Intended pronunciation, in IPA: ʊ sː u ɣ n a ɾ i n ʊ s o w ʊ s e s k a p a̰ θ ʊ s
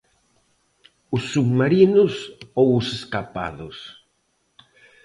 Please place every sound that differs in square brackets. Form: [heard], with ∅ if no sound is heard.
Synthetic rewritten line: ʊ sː u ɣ [m] a ɾ i n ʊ s o w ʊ s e s k a p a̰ [ð] ʊ s